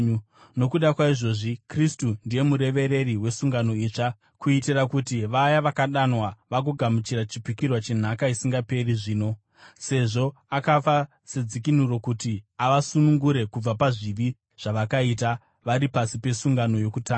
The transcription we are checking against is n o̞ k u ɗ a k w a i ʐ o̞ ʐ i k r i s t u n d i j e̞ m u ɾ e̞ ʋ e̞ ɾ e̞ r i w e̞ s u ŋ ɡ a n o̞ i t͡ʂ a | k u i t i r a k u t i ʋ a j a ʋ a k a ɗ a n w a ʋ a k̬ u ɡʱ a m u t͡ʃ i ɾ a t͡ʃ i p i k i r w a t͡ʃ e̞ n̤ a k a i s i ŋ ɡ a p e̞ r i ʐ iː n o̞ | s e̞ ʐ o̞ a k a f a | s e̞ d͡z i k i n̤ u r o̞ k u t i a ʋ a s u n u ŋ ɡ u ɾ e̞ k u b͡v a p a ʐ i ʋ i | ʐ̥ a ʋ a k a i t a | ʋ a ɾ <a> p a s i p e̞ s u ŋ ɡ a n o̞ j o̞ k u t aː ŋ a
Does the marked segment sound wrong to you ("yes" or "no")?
yes